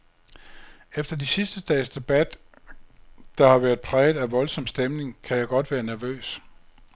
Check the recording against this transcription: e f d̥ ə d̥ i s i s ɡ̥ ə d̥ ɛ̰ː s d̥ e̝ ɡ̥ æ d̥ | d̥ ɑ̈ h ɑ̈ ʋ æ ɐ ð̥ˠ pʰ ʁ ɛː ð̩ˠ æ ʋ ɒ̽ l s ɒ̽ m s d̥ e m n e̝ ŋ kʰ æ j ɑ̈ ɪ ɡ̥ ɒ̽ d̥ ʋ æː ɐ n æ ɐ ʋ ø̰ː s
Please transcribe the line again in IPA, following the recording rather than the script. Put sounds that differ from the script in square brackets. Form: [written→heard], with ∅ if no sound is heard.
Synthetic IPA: e f d̥ [ə→ɐ] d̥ i s i s [ɡ̥→d̥] ə d̥ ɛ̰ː s d̥ e̝ [ɡ̥→b̥] æ d̥ | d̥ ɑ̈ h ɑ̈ ʋ æ ɐ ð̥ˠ pʰ ʁ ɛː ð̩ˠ æ ʋ ɒ̽ l s ɒ̽ m s d̥ e m n e̝ ŋ kʰ æ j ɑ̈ ɪ ɡ̥ ɒ̽ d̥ ʋ æː ɐ n æ ɐ ʋ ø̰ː s